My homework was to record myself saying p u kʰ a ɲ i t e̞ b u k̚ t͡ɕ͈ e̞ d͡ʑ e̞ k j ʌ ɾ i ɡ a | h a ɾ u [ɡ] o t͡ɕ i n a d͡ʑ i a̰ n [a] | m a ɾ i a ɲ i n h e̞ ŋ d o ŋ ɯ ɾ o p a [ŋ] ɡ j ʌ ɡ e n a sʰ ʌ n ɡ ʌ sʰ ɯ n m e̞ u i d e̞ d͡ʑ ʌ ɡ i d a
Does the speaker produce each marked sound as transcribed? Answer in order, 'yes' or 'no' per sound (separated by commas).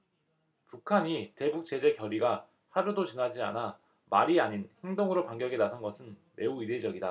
no, yes, yes